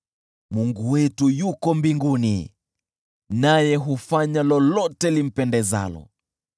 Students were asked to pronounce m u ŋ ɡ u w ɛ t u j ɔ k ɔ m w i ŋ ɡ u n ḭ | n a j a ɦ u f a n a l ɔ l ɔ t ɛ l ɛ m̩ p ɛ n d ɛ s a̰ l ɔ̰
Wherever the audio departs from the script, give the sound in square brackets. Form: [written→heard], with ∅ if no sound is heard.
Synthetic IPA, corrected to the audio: m u ŋ ɡ u w ɛ t u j [ɔ→u] k ɔ m [w→b] i ŋ ɡ u n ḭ | n a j [a→ɛ] ɦ u f a [n→ɲ] a l ɔ l ɔ t ɛ l [ɛ→i] m̩ p ɛ n d ɛ [s→z] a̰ l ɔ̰